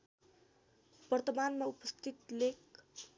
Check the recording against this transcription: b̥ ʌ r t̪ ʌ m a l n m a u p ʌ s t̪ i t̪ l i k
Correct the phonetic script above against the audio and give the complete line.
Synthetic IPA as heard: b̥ ʌ r t̪ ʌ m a n m a u p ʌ s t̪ i t̪ l e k